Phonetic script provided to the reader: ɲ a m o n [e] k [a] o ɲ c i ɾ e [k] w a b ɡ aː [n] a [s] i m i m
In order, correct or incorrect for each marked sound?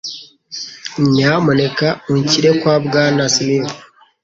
correct, correct, correct, correct, correct

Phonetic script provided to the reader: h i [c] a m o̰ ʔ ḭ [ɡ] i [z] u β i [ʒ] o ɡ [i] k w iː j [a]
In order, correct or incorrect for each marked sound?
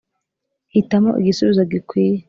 incorrect, correct, incorrect, incorrect, correct, incorrect

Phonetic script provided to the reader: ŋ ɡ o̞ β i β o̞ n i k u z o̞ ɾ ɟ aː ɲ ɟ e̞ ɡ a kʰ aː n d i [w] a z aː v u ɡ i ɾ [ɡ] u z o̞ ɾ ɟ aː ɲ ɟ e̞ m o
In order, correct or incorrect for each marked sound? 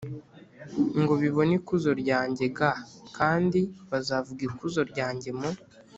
incorrect, incorrect

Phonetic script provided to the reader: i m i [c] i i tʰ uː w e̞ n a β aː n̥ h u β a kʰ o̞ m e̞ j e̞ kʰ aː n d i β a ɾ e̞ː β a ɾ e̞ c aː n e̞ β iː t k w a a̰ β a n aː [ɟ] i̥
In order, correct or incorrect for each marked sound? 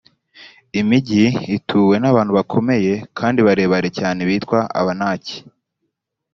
incorrect, incorrect

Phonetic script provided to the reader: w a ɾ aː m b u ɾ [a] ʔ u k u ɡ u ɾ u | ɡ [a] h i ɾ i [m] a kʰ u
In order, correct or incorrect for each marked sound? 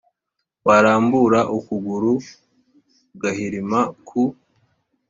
correct, correct, correct

